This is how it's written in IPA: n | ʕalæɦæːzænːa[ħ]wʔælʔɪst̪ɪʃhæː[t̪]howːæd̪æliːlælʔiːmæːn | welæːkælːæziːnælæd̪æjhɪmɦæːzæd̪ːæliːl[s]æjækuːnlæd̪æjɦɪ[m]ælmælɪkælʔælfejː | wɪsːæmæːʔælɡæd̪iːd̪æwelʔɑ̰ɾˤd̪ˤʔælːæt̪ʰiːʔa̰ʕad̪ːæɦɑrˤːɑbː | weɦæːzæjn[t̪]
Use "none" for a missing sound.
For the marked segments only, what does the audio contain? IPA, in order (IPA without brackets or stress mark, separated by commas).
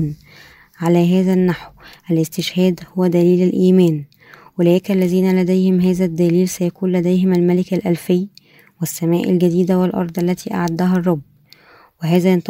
ħ, d̪, s, m, t̪